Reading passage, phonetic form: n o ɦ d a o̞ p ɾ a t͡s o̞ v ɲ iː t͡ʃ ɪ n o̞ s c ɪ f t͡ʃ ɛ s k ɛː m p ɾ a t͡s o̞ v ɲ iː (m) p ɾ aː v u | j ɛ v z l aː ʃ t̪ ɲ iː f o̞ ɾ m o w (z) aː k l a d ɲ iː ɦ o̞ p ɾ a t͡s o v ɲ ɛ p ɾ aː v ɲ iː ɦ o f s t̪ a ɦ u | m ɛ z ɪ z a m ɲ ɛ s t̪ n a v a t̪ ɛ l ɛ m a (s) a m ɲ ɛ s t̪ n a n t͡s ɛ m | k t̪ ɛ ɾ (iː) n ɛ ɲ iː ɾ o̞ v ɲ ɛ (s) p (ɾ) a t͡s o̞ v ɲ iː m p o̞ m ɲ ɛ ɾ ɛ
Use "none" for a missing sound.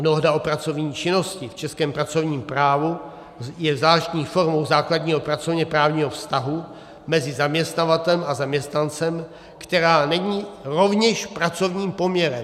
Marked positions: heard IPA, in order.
m, z, z, aː, ʃ, ɾ

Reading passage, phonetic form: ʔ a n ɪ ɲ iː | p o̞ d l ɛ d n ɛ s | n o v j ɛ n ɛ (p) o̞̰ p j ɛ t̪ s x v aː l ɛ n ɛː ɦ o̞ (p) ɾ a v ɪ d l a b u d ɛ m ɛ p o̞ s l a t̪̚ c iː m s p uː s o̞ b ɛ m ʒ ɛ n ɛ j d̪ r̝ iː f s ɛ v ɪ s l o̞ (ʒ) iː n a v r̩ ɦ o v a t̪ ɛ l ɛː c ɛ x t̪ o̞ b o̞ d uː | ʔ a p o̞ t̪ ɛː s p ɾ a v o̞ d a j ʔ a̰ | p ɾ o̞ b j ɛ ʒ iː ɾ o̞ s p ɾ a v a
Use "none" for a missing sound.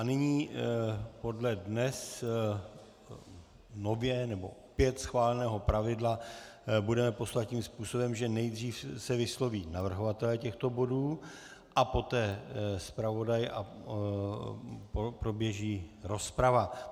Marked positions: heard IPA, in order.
b, p, v

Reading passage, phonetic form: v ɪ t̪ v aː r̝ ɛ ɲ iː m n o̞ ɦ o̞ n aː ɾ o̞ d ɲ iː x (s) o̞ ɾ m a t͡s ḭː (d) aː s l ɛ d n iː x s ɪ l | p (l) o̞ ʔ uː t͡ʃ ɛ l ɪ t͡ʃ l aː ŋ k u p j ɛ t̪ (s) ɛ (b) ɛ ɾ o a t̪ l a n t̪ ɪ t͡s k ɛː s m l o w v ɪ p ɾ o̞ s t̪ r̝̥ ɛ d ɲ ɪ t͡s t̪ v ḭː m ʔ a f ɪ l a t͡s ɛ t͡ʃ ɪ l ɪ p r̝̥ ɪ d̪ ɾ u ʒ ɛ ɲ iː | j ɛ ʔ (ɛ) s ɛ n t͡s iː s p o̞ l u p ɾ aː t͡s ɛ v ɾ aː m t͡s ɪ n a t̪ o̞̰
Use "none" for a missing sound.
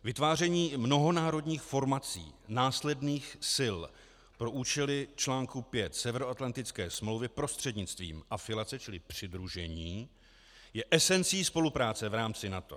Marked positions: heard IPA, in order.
f, n, ɾ, s, v, ɛ

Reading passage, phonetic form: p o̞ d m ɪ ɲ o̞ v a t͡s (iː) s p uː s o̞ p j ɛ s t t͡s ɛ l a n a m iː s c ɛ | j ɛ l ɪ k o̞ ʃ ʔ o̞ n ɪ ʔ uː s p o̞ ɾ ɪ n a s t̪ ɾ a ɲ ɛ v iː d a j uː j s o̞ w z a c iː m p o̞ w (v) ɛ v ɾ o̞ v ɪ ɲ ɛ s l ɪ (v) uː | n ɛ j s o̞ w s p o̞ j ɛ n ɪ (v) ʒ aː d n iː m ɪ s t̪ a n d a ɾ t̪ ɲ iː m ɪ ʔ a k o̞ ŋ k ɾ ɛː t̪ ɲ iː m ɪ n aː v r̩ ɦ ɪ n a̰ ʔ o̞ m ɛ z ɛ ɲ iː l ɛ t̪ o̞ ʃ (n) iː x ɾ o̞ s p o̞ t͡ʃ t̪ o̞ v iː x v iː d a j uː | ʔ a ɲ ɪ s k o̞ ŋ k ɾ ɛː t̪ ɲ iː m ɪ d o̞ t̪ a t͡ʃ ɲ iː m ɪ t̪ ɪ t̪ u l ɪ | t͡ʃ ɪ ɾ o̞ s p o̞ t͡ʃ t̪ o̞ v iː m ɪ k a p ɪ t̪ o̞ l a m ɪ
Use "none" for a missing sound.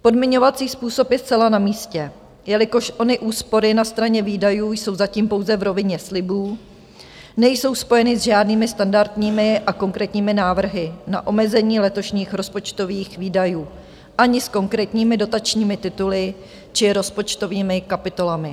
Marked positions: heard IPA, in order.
iː, z, b, z, ɲ

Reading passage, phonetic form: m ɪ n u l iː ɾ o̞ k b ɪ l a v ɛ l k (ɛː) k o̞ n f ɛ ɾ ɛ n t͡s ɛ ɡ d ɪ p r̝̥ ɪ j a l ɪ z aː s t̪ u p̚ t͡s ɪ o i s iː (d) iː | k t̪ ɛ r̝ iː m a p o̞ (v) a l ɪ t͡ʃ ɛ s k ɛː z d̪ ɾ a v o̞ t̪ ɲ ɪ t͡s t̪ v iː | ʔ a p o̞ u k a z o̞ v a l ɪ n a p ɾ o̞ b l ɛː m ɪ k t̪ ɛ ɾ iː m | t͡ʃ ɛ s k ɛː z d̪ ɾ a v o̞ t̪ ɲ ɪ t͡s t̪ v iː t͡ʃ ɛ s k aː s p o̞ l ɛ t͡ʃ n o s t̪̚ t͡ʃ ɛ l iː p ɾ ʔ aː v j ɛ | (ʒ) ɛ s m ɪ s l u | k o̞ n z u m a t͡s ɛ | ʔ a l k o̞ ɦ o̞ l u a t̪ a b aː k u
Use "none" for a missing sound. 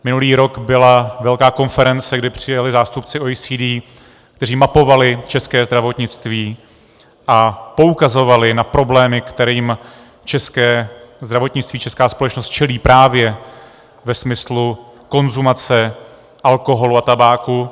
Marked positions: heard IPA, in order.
aː, d, v, v

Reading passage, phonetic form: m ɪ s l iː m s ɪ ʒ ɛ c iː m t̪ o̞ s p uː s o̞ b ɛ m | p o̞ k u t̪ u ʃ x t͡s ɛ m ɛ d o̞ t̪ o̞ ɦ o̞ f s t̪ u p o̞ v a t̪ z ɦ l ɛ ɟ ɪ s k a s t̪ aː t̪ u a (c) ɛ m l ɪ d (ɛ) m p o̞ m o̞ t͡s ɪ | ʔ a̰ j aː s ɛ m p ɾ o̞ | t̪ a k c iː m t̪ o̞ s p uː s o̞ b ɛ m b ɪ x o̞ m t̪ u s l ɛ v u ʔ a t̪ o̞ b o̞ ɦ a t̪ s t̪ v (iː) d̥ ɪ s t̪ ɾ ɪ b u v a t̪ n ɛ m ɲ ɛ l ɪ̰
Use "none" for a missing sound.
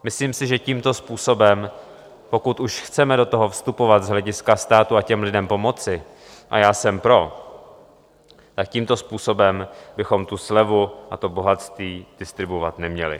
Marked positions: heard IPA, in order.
c, ɛ, iː

